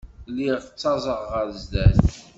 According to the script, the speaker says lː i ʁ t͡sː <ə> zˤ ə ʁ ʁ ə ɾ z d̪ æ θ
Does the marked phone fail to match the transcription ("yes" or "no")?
yes